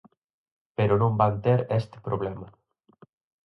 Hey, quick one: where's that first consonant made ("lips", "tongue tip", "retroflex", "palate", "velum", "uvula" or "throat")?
lips